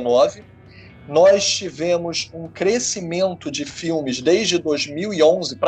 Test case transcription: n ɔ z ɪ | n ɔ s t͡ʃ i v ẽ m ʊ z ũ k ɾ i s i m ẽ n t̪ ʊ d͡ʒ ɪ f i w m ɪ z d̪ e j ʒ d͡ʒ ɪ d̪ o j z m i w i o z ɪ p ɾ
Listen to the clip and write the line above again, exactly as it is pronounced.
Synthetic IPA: n ɔ v ɪ | n ɔ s t͡ʃ i v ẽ m ʊ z ũ k ɾ e s i m ẽ n t̪ ʊ d͡ʒ ɪ f i w m ɪ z d̪ e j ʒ d͡ʒ ɪ d̪ o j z m i w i õ z ɪ p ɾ